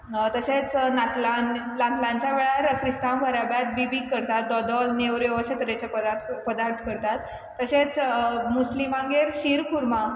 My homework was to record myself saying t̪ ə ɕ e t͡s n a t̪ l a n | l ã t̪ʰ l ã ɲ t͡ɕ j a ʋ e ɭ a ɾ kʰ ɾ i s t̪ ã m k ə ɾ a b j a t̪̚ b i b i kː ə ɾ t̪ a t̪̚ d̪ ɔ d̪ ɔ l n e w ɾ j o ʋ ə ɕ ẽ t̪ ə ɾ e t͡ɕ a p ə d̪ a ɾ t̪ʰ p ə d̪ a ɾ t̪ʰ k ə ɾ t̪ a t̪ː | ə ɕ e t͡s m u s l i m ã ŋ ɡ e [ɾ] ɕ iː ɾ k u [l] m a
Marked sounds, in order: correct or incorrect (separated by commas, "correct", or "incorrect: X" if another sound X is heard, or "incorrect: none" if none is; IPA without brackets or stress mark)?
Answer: correct, incorrect: ɾ